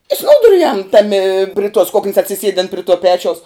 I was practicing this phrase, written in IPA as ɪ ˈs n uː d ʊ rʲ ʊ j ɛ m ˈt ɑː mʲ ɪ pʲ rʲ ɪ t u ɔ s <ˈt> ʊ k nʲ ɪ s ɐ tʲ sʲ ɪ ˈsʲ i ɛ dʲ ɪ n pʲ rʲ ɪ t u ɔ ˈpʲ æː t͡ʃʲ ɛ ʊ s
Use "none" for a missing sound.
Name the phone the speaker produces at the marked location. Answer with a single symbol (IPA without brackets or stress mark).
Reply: k